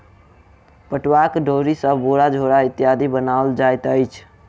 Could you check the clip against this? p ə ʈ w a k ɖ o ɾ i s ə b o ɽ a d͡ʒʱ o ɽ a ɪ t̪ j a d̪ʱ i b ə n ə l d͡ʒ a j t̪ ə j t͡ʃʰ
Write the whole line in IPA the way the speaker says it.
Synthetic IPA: p ə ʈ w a k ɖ o ɾ i s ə b o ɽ a d͡ʒʱ o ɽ a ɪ t̪ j a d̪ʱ i b ə n a l d͡ʒ a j t̪ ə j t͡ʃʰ

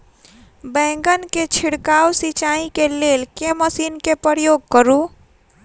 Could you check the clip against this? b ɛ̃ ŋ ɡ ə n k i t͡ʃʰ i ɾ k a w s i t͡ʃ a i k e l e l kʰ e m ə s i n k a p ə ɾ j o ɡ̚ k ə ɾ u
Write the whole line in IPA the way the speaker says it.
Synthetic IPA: b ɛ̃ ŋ ɡ ə n k e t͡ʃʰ i ɽ k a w s i t͡ʃ a i k e l e l k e m ə s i n k e p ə ɾ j o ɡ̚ k ə ɾ u

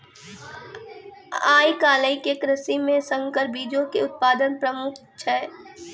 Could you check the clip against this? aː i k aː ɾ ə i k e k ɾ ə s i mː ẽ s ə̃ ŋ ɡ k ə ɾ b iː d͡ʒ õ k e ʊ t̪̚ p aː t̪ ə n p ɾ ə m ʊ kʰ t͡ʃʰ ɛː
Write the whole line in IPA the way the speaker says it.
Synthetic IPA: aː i k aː l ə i k e k ɾ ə s i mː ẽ s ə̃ ŋ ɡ k ə ɾ b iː d͡ʒ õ k e ʊ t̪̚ p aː d̪ ə n p ɾ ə m ʊ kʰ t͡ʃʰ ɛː

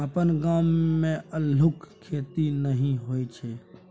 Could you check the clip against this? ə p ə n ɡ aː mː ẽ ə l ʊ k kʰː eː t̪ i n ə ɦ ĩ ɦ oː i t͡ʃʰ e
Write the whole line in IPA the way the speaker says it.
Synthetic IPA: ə p ə n ɡ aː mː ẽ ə l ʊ k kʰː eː t̪ i n ə ɦ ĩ ɦ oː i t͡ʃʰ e

